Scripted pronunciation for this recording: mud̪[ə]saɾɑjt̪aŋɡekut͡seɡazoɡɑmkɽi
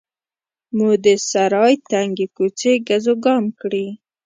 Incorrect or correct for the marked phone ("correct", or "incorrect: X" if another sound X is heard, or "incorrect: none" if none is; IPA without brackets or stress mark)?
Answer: correct